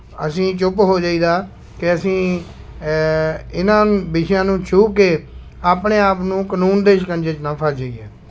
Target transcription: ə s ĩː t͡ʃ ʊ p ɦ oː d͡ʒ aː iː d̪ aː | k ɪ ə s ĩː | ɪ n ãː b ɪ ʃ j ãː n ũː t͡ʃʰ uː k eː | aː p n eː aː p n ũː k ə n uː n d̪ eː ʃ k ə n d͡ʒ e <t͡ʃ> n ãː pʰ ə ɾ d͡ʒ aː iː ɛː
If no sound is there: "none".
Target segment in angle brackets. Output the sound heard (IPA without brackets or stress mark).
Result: t͡ʃ